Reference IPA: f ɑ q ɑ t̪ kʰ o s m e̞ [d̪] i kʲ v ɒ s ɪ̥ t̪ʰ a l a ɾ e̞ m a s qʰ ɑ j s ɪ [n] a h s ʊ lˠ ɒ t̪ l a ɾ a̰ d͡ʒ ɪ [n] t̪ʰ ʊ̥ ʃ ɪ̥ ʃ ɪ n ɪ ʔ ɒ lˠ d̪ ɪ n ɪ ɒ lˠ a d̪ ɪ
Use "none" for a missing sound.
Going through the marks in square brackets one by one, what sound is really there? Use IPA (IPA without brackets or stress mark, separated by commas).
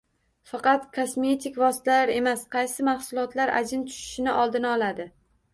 t̪, m, n